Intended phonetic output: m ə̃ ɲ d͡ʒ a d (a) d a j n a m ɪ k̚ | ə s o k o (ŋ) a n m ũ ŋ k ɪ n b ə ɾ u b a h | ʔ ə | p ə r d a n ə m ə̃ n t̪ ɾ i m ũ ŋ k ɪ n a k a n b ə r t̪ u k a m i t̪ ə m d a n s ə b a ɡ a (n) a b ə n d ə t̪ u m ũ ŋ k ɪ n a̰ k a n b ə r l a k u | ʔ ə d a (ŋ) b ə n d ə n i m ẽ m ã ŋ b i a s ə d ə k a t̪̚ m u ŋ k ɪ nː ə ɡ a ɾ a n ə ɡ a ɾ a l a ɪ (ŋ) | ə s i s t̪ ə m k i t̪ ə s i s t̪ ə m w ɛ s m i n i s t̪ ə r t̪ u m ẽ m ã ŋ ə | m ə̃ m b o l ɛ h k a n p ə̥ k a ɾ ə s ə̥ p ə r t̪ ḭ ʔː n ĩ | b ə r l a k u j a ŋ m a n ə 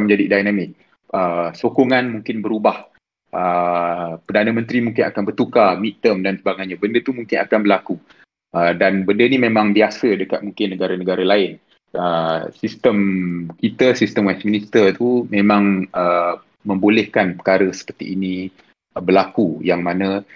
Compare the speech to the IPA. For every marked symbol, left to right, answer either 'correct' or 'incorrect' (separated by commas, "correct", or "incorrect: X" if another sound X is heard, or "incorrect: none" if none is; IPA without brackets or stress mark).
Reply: incorrect: i, correct, incorrect: ɲ, incorrect: n, incorrect: n